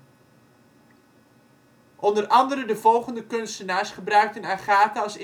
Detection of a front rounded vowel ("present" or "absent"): present